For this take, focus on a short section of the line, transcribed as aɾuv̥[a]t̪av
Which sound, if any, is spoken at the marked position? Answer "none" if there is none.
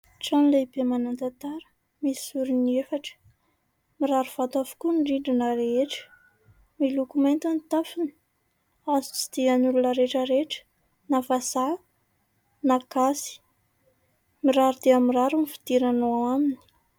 a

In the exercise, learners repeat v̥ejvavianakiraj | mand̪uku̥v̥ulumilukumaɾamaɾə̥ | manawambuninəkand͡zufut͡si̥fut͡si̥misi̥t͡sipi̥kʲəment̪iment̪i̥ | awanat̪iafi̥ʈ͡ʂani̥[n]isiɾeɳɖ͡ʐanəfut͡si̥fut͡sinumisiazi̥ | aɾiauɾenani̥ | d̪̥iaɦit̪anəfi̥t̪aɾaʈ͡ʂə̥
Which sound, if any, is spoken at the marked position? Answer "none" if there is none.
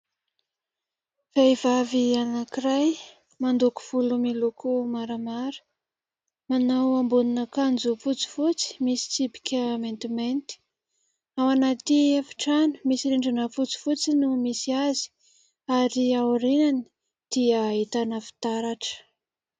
m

